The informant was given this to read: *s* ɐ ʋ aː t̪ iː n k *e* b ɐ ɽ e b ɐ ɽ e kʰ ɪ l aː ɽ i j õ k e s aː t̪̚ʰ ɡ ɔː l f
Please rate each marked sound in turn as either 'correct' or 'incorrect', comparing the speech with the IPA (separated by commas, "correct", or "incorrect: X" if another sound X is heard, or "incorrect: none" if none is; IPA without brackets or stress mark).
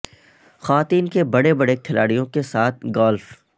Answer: incorrect: x, correct